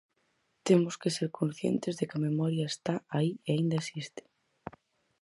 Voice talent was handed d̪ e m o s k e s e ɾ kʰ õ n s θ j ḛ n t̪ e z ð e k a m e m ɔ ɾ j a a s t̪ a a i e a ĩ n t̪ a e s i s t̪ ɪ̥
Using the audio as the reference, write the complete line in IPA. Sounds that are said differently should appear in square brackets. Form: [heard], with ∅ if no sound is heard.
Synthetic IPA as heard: [t̪] e m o s k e s e ɾ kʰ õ n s θ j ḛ n t̪ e z ð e k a m e m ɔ ɾ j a [e] s t̪ a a i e a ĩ n [d̪] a e s i s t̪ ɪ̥